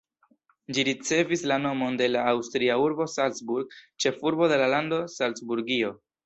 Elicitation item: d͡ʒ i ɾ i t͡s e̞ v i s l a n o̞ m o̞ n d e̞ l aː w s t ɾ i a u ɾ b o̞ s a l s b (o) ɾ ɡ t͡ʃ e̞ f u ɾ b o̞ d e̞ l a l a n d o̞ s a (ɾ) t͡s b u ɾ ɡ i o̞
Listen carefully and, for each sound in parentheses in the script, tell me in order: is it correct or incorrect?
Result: incorrect: u, incorrect: l

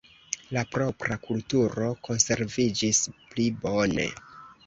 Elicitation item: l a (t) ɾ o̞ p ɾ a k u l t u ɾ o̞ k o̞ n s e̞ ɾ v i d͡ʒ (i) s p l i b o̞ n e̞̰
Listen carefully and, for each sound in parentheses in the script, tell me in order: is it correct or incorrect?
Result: incorrect: p, correct

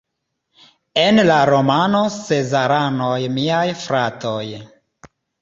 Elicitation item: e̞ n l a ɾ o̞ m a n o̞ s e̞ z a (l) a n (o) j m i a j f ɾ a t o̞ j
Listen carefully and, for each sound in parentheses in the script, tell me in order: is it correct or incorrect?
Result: incorrect: ɾ, correct

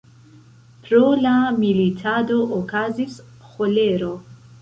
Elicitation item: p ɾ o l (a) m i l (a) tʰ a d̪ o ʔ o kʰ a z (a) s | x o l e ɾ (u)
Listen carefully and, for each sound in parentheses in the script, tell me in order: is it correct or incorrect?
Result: correct, incorrect: i, incorrect: i, incorrect: o

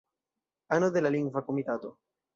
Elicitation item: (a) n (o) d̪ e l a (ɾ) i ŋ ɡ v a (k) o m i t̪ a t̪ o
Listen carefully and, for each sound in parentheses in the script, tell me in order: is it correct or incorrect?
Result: correct, correct, incorrect: l, correct

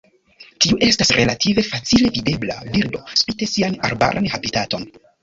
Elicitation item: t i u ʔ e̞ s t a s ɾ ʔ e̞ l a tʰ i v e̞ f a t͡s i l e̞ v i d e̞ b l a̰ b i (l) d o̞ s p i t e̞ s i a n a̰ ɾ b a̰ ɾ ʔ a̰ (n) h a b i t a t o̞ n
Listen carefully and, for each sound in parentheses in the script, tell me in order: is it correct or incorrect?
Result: incorrect: ɾ, correct

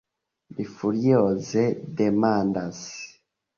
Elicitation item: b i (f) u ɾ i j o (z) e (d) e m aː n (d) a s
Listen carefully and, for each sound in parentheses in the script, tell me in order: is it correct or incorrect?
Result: correct, correct, correct, correct

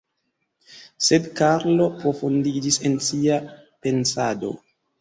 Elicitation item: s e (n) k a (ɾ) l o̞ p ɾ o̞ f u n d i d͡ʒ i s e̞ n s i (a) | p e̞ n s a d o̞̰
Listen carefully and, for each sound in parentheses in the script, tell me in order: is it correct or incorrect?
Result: incorrect: d, correct, correct

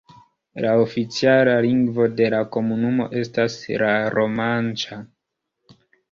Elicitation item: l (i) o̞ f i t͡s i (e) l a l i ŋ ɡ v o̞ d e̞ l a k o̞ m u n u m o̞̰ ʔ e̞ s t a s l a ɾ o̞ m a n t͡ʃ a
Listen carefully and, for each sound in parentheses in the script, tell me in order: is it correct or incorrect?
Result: incorrect: a, incorrect: a

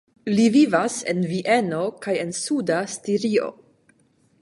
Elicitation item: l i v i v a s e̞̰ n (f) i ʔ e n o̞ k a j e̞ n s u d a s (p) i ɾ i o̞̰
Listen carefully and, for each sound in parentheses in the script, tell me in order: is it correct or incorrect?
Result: incorrect: v, incorrect: t

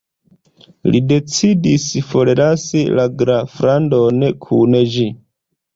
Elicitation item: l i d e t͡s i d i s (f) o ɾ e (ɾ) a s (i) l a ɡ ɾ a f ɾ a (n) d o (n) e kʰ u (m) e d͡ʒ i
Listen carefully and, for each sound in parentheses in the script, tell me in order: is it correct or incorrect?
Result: correct, correct, correct, correct, correct, incorrect: n

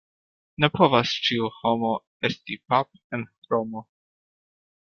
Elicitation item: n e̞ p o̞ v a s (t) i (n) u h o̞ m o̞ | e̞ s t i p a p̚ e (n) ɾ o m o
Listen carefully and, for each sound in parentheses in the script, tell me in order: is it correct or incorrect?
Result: incorrect: t͡ʃ, incorrect: none, correct

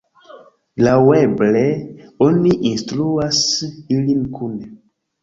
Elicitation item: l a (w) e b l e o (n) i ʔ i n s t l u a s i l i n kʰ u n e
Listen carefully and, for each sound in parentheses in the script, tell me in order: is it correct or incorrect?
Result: correct, correct

